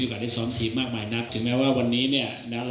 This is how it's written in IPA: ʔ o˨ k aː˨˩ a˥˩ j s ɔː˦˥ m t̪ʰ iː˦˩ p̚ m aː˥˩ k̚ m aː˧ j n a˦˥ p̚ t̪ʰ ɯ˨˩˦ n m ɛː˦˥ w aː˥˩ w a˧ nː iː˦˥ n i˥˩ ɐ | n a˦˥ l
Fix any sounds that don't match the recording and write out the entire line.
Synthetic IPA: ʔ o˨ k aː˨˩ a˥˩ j s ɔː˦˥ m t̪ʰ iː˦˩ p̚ m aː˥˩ k̚ m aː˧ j n a˦˥ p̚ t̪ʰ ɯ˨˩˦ ŋ m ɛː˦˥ w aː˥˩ w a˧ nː iː˦˥ n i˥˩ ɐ | n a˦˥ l